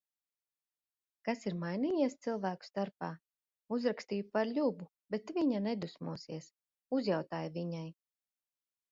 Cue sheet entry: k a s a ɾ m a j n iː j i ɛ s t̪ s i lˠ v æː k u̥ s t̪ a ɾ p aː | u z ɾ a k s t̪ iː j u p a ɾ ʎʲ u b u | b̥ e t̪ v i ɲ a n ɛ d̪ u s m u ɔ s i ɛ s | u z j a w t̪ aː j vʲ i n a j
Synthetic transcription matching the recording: k a s i ɾ m a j n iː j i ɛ s t̪ s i lˠ v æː k u̥ s t̪ a ɾ p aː | u z ɾ a k s t̪ iː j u p a ɾ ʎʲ u b u | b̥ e t̪ v i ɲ a n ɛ d̪ u s m u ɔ s i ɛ s | u z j a w t̪ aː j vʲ i ɲ a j